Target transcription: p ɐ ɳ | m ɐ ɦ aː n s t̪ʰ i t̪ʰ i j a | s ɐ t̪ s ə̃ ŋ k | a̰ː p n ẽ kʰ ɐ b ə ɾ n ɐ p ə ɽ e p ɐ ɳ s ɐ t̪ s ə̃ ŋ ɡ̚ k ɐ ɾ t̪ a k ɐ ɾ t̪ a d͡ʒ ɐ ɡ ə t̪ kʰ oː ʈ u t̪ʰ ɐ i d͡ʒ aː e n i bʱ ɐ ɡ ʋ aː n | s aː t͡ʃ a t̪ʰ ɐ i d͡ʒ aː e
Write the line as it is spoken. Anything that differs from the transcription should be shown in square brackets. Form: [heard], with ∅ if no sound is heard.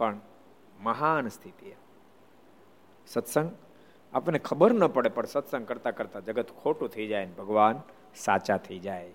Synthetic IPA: p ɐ ɳ | m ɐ ɦ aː n s t̪ʰ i [t̪] i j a | s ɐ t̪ s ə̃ ŋ [ɡ] | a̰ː p n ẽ kʰ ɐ b ə ɾ n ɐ p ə ɽ e p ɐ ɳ s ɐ t̪ s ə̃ ŋ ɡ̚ k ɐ ɾ t̪ a k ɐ ɾ t̪ a d͡ʒ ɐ ɡ ə t̪ kʰ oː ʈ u t̪ʰ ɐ i d͡ʒ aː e n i bʱ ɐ ɡ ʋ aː n | s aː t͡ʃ a t̪ʰ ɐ i d͡ʒ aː e